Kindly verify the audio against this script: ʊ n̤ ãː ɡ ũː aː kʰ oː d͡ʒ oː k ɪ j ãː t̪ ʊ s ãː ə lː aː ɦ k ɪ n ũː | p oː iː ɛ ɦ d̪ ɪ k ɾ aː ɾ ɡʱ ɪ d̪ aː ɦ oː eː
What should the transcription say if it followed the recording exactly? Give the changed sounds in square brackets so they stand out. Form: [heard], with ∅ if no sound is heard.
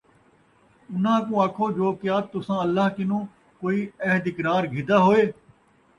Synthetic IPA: ʊ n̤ ãː [k] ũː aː kʰ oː d͡ʒ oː k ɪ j [aː] t̪ ʊ s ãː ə lː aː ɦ k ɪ n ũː | [k] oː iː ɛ ɦ d̪ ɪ k ɾ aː ɾ ɡʱ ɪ d̪ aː ɦ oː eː